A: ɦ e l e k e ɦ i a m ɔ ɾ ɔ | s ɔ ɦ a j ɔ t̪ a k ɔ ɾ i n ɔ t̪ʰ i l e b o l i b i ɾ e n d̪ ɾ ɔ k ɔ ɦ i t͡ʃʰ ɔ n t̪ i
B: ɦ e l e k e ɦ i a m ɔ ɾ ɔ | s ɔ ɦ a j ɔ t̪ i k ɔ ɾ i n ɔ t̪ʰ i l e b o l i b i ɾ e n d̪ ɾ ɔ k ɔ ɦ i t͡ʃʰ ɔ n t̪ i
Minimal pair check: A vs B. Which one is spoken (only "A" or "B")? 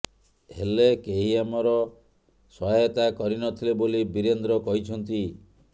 A